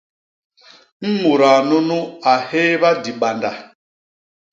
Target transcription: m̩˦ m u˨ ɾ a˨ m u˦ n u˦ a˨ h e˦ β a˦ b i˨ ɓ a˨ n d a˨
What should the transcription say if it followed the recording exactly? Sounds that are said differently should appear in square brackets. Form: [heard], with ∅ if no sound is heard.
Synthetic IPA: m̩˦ m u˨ ɾ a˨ [n] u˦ n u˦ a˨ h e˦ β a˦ [d] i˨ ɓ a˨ n d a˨

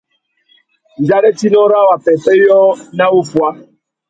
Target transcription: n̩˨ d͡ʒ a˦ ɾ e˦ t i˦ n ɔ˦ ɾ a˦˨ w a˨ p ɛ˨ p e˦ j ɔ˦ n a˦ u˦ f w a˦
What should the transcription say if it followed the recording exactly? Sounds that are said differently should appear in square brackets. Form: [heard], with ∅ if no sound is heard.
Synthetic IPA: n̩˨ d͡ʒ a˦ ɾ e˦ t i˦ n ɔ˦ ɾ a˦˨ w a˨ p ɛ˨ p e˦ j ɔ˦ n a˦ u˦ f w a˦

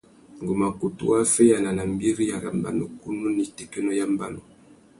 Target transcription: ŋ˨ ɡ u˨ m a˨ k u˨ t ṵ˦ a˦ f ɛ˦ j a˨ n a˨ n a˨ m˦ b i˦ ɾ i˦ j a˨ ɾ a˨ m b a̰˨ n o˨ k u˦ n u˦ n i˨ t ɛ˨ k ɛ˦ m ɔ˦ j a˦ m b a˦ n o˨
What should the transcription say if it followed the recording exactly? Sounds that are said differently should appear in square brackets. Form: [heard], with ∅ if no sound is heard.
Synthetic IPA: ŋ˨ ɡ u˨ m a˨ k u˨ t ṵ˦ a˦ f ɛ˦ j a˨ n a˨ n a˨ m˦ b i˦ ɾ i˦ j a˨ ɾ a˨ m b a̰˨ n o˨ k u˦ n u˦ n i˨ t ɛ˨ k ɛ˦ [n] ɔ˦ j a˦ m b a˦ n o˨

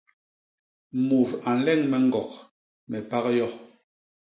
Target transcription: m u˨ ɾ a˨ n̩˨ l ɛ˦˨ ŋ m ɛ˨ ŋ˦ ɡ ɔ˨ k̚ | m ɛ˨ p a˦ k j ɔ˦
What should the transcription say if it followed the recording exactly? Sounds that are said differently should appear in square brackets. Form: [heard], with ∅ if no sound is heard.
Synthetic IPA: m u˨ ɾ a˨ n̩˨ l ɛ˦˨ ŋ m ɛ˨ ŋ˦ ɡ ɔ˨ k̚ | m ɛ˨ p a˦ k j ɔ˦

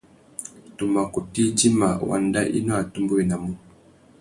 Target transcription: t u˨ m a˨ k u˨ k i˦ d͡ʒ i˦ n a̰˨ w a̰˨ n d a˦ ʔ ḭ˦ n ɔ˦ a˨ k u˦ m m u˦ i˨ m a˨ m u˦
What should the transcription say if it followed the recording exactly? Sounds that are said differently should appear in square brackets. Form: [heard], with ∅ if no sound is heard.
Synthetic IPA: t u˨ m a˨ k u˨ [t] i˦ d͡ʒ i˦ [m] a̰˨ w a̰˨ n d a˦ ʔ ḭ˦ n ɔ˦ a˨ [t] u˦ m [b] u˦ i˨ [n] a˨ m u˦

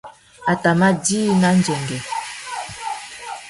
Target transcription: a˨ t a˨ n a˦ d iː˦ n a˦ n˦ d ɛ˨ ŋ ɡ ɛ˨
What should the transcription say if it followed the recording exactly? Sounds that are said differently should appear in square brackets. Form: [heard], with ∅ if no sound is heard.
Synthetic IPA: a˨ t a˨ [m] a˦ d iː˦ n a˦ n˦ [d͡ʒ] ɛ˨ ŋ ɡ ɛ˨

